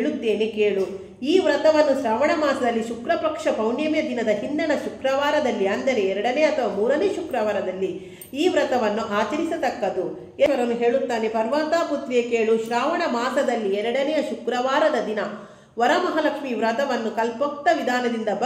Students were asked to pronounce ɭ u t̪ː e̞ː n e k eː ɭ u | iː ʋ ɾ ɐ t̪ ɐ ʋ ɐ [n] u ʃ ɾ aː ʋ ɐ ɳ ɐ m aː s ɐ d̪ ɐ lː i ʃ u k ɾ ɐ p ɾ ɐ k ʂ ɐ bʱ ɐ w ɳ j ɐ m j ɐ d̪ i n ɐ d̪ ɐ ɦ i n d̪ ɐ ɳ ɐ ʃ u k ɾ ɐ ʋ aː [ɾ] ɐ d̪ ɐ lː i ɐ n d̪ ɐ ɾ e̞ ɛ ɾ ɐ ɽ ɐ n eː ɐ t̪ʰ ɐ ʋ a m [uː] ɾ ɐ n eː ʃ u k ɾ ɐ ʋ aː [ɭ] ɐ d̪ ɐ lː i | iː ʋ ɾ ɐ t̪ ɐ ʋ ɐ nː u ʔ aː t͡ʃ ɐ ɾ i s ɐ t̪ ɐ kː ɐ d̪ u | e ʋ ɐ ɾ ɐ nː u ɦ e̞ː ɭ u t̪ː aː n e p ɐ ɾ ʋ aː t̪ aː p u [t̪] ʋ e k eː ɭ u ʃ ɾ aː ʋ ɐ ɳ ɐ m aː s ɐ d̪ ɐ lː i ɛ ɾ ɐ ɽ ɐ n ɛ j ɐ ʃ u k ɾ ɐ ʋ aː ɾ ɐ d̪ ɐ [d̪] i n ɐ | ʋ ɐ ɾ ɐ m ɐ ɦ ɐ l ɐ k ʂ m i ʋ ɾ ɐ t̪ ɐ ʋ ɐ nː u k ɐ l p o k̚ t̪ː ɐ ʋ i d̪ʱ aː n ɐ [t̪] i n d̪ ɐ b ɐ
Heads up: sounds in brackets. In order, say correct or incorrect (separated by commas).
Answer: incorrect, correct, correct, incorrect, correct, correct, incorrect